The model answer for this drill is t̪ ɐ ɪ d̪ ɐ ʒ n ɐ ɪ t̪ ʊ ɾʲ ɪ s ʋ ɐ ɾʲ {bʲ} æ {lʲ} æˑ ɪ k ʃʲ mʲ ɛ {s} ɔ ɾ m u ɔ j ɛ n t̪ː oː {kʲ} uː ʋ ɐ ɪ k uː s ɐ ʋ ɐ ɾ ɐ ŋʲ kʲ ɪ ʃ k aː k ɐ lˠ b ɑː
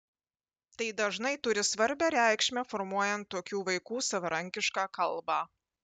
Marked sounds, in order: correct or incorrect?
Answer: correct, incorrect: ɾʲ, incorrect: f, correct

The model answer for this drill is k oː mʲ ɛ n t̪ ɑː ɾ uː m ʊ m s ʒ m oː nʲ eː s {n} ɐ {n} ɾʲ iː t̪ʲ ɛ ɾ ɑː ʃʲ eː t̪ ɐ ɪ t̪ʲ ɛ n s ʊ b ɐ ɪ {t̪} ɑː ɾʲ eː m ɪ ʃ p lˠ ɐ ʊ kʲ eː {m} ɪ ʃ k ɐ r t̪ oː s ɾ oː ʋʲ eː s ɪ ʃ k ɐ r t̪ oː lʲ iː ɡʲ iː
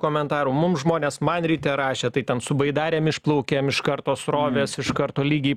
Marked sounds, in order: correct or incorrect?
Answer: incorrect: m, correct, incorrect: d̪, correct

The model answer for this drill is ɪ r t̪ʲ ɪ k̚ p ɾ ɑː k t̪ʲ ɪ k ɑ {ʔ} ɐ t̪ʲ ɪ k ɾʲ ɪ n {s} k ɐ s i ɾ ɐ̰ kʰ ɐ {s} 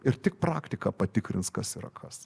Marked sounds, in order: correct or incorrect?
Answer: incorrect: p, correct, correct

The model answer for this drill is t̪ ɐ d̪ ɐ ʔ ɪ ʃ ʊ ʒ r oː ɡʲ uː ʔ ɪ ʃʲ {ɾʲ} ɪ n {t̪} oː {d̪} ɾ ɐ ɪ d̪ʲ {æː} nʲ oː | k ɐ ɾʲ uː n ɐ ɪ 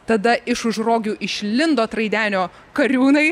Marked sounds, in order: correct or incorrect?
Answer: incorrect: lʲ, incorrect: d̪, incorrect: t̪, correct

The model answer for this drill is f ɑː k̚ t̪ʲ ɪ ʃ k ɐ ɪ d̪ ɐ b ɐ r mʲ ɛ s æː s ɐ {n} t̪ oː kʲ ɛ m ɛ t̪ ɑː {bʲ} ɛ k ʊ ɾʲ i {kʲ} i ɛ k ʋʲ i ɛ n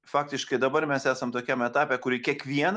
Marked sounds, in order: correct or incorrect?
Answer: incorrect: m, incorrect: pʲ, correct

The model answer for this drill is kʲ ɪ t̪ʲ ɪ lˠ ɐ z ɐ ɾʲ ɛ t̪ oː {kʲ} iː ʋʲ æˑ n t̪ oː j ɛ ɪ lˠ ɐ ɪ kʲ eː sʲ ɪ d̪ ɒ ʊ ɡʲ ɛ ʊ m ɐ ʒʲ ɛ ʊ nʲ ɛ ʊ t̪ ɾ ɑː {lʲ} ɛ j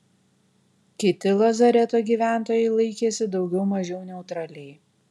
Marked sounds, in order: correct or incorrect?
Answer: incorrect: ɡʲ, correct

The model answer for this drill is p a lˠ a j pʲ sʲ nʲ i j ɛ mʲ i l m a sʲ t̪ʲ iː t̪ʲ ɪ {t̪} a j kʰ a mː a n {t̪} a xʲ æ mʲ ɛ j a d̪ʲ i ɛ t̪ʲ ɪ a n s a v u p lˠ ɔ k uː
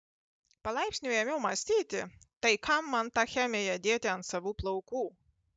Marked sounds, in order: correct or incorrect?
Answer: correct, correct

